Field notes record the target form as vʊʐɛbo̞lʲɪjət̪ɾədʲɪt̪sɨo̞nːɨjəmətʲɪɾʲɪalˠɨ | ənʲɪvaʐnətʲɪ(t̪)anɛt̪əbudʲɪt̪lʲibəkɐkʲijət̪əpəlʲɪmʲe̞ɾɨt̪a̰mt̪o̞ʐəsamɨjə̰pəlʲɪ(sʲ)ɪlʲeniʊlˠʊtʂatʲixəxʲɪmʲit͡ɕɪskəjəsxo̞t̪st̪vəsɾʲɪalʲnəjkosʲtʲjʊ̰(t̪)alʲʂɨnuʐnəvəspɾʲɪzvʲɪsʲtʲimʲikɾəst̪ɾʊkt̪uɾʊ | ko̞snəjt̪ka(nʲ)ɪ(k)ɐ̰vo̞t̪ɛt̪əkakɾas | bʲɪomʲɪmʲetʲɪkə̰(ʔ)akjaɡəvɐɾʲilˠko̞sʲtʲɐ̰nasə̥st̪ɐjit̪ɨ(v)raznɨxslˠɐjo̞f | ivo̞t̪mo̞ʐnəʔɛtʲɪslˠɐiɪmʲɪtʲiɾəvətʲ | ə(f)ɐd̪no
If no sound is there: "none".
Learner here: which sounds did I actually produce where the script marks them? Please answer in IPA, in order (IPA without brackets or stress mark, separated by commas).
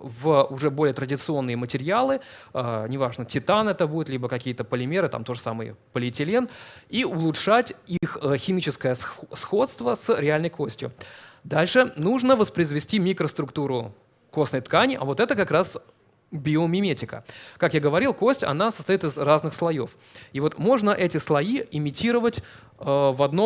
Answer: t̪, tʲ, d̪, nʲ, ʔ, k, z, v